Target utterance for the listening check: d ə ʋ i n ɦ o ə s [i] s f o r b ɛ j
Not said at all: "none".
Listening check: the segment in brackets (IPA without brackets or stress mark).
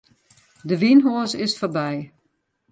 ɪ